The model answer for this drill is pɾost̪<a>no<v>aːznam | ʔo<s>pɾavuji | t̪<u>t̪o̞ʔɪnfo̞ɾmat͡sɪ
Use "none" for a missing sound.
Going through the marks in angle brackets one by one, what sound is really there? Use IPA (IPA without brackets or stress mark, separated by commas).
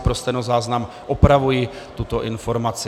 ɛ, z, none, u